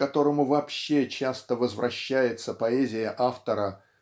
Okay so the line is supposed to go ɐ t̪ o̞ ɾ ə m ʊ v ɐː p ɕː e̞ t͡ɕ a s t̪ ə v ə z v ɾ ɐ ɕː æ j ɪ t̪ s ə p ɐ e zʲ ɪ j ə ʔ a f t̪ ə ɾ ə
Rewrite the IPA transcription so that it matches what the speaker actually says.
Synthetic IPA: ɐ t̪ o̞ ɾ ə m ʊ v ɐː p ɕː e̞ t͡ɕ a s t̪ ə v ə z v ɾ ɐ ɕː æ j ɪ t̪ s ə p ɐ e zʲ ɪ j ə ʔ a f t̪ ə ɾ ə

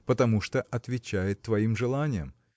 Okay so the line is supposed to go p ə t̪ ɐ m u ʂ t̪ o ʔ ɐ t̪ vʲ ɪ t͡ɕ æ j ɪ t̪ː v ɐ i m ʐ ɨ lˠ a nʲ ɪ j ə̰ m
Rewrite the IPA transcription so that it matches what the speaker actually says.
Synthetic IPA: p ə t̪ ɐ m u ʂ t̪ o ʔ ɐ t̪ vʲ ɪ t͡ɕ æ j ɪ t̪ː v ɐ i m ʐ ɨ lˠ a nʲ ɪ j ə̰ m

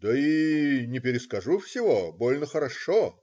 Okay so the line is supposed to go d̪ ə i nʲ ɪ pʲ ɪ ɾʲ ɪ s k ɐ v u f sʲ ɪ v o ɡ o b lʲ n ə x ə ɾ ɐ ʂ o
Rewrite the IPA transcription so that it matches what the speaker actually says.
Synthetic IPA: d̪ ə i nʲ ɪ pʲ ɪ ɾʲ ɪ s k ɐ ʐ u f sʲ ɪ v o b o lʲ n ə x ə ɾ ɐ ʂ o

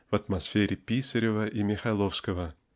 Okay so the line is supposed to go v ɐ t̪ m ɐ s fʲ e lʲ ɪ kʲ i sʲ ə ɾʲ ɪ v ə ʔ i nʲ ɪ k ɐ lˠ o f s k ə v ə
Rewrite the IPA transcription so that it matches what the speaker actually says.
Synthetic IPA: v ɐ t̪ m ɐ s fʲ e ɾʲ ɪ pʲ i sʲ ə ɾʲ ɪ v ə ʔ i mʲ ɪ x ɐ lˠ o f s k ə v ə

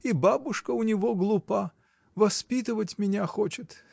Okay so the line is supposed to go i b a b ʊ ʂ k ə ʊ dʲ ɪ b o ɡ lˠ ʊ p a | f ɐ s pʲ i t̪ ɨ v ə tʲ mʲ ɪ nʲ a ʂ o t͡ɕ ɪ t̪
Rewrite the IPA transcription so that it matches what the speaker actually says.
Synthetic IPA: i b a b ʊ ʂ k ə ʊ nʲ ɪ v o ɡ lˠ ʊ p a | v ɐ s pʲ i t̪ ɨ v ə tʲ mʲ ɪ nʲ a x o t͡ɕ ɪ t̪

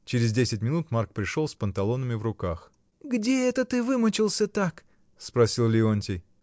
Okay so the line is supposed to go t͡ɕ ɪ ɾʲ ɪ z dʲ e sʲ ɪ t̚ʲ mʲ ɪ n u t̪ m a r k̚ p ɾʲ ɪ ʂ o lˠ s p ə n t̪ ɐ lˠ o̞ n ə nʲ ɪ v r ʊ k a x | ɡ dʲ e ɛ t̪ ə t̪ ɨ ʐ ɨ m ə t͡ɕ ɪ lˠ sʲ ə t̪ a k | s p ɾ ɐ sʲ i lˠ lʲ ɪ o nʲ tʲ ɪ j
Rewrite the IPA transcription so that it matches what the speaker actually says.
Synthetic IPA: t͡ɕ ɪ ɾʲ ɪ z dʲ e sʲ ɪ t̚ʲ mʲ ɪ n u t̪ m a r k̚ p ɾʲ ɪ ʂ o lˠ s p ə n t̪ ɐ lˠ o̞ n ə mʲ ɪ v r ʊ k a x | ɡ dʲ e ɛ t̪ ə t̪ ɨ v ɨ m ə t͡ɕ ɪ lˠ sʲ ə t̪ a k | s p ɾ ɐ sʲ i lˠ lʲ ɪ o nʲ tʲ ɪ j

